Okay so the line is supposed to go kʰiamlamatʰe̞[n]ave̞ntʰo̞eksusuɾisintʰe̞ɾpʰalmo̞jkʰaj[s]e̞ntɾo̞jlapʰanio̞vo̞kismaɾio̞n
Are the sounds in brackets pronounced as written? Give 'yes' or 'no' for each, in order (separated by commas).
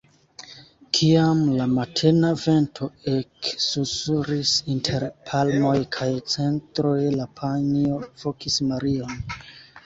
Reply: yes, no